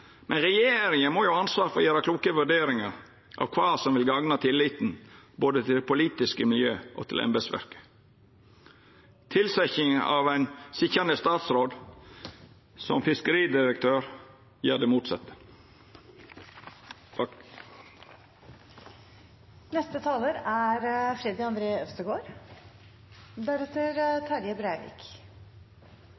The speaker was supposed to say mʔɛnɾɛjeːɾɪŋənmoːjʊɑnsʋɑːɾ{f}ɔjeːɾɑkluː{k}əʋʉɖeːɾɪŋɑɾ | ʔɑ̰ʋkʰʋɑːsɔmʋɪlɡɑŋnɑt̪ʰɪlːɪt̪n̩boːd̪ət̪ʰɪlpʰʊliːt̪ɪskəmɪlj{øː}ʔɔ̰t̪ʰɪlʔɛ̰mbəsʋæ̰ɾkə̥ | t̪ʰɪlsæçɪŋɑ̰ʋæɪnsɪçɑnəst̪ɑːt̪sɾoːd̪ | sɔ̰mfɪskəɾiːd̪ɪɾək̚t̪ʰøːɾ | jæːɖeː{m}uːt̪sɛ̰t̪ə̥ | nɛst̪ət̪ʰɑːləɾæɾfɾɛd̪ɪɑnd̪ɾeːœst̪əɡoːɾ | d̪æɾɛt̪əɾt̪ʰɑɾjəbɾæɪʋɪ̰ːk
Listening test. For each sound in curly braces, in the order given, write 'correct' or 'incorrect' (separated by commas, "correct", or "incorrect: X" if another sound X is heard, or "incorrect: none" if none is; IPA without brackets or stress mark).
correct, correct, correct, correct